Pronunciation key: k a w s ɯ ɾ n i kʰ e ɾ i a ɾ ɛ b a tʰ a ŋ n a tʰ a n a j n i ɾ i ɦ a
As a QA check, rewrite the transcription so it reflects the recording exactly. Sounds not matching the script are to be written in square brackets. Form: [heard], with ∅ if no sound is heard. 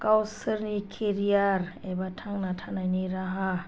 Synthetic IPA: k a w s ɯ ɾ n i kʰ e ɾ i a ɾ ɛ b a tʰ a ŋ n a tʰ a n a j n i ɾ [a] ɦ a